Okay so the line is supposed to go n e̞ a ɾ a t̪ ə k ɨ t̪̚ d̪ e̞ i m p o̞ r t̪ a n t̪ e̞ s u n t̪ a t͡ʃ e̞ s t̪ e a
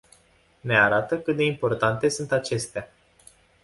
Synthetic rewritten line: n e̞ a ɾ a t̪ ə k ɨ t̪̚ d̪ e̞ i m p o̞ r t̪ a n t̪ e̞ s u n t̪ a t͡ʃ e̞ s t̪ e a